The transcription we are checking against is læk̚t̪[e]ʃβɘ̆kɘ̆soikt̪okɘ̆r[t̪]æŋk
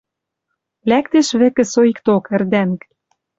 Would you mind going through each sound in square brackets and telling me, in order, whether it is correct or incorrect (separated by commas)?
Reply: correct, incorrect